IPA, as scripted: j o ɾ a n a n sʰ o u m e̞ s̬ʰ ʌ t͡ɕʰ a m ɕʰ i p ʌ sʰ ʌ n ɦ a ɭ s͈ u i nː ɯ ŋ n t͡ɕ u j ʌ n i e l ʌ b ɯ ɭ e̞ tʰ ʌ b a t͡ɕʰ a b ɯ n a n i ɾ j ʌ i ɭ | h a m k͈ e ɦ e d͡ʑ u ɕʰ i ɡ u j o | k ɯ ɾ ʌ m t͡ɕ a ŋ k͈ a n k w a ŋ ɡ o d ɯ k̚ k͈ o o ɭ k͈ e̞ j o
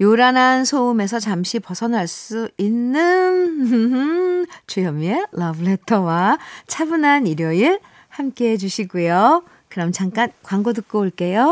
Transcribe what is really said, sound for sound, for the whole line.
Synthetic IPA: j o ɾ a n a n sʰ o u m e̞ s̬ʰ ʌ t͡ɕ a m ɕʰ i p ʌ sʰ ʌ n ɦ a ɭ s͈ u i nː ɯ n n t͡ɕ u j ʌ m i e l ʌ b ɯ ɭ e̞ tʰ ʌ w a t͡ɕʰ a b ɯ n a n i ɾ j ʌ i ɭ | h a m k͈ e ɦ e d͡ʑ u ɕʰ i ɡ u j o | k ɯ ɾ ʌ m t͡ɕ a ŋ k͈ a n k w a ŋ ɡ o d ɯ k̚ k͈ o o ɭ k͈ e̞ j o